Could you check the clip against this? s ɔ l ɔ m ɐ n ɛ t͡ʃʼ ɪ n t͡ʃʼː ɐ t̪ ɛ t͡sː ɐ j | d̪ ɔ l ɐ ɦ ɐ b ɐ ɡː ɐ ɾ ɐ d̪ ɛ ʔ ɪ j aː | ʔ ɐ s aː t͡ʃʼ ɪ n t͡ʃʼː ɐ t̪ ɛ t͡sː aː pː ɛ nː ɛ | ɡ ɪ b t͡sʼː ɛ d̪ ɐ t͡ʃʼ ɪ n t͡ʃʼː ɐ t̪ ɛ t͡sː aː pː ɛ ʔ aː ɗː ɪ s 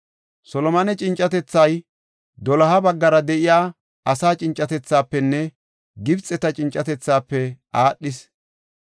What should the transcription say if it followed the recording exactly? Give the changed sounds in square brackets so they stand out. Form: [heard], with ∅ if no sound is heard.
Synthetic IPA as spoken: s ɔ l ɔ m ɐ n ɛ t͡ʃʼ ɪ n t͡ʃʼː ɐ t̪ ɛ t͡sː ɐ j | d̪ ɔ l ɐ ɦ ɐ b ɐ ɡː ɐ ɾ ɐ d̪ ɛ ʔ ɪ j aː | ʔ ɐ s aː t͡ʃʼ ɪ n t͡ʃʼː ɐ t̪ ɛ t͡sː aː pː ɛ nː ɛ | ɡ ɪ b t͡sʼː ɛ [t̪] ɐ t͡ʃʼ ɪ n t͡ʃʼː ɐ t̪ ɛ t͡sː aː pː ɛ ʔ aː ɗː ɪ s